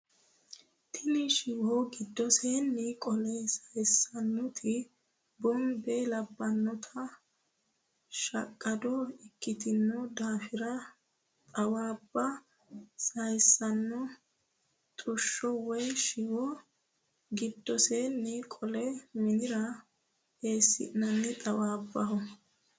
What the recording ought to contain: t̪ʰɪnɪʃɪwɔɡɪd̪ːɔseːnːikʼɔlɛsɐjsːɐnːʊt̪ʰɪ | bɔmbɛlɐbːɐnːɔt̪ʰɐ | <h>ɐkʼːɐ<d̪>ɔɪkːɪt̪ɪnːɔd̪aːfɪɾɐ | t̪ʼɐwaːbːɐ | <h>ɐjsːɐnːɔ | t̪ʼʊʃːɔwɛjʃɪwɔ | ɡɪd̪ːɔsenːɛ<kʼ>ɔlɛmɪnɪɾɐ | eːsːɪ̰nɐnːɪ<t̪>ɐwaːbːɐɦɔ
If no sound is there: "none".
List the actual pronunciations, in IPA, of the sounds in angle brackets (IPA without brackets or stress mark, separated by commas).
ʃ, d̪, s, kʼ, t̪ʼ